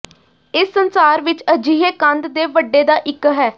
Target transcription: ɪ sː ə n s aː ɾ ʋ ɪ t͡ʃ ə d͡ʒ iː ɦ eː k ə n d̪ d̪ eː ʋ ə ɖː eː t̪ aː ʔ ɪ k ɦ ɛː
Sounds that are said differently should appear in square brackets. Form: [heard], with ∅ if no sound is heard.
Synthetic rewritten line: ɪ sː ə n s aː ɾ ʋ ɪ t͡ʃ ə d͡ʒ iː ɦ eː k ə n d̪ d̪ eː ʋ ə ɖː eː [d̪] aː ʔ ɪ k ɦ ɛː